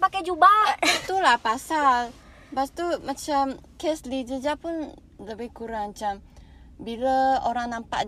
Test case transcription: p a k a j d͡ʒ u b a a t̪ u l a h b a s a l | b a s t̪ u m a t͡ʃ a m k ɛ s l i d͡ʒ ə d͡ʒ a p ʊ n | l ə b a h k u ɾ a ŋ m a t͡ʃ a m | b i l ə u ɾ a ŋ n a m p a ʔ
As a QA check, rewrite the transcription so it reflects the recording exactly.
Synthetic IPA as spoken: p a k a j d͡ʒ u b a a t̪ u l a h p a s a l | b a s t̪ u m a t͡ʃ a m k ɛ s l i d͡ʒ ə d͡ʒ a p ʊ n | l ə b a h k u ɾ a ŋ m a t͡ʃ a m | b i l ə o ɾ a ŋ n a m p a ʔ